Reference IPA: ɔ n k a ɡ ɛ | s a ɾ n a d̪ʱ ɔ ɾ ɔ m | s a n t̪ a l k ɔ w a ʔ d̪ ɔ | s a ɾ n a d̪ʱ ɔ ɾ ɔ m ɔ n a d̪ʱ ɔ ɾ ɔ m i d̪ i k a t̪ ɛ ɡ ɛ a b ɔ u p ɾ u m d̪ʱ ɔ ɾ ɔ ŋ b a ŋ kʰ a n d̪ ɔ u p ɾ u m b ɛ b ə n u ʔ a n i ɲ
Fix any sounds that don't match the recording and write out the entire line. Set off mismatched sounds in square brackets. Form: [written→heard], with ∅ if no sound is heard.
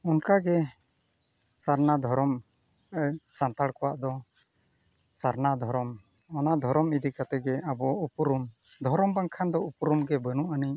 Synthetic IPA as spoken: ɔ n k a ɡ ɛ | s a ɾ n a d̪ʱ ɔ ɾ ɔ m | s a n t̪ a [l→ɽ] k ɔ w a ʔ d̪ ɔ | s a ɾ n a d̪ʱ ɔ ɾ ɔ m ɔ n a d̪ʱ ɔ ɾ ɔ m i d̪ i k a t̪ ɛ ɡ ɛ a b ɔ u p ɾ u m d̪ʱ ɔ ɾ ɔ [ŋ→m] b a ŋ kʰ a n d̪ ɔ u p ɾ u m [b→ɡ] ɛ b ə n u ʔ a n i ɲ